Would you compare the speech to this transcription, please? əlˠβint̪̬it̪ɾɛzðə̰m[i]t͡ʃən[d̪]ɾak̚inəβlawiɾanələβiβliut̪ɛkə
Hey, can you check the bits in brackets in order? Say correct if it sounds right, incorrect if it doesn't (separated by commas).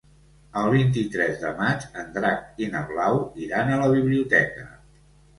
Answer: incorrect, correct